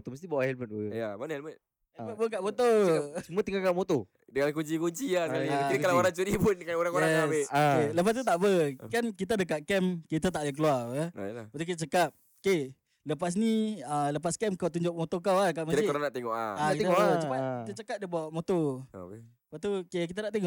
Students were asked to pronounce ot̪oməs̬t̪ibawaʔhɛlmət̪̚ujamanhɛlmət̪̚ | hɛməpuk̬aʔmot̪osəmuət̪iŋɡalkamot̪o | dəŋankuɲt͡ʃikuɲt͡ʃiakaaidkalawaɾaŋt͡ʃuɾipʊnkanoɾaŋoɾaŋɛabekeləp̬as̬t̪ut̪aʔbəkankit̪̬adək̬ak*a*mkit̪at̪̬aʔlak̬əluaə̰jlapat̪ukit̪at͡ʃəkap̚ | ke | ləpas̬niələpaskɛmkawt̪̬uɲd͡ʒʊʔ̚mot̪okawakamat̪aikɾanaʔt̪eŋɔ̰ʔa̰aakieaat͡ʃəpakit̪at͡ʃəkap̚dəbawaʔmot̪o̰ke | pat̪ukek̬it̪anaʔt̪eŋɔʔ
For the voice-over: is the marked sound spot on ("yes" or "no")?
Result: no